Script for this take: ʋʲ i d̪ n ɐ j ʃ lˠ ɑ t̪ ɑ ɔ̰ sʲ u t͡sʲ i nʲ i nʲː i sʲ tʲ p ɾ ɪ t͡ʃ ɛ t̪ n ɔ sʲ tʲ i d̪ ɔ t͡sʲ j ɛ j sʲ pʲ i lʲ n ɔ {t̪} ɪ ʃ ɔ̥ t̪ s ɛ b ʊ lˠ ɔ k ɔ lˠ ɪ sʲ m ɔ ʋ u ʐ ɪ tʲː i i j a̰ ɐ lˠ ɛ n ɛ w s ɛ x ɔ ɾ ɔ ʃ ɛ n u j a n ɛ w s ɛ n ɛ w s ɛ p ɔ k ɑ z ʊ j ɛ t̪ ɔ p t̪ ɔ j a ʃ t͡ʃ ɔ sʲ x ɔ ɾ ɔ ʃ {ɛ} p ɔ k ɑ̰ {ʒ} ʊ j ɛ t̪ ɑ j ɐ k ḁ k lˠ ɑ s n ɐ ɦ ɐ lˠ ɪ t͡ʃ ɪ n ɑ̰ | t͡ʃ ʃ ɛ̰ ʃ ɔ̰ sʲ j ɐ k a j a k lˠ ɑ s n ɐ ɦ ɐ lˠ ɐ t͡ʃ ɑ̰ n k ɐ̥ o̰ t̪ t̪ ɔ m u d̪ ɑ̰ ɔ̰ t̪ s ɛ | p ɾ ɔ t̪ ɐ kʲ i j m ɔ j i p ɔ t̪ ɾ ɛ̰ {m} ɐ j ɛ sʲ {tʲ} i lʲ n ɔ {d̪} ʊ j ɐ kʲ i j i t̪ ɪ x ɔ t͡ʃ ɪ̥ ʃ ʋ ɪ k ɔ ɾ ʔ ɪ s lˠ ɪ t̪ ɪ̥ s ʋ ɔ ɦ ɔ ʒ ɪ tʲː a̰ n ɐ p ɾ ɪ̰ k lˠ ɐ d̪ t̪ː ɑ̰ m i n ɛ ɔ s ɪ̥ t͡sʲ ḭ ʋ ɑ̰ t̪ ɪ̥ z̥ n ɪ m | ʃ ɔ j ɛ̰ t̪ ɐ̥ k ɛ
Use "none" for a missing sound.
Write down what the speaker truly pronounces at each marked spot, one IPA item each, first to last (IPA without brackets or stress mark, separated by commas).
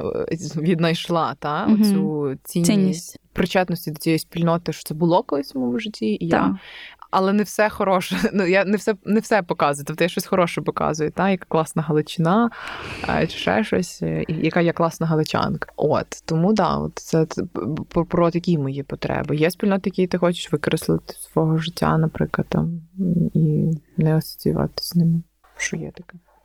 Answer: t̪, ɛ, z, b, pʲ, t̪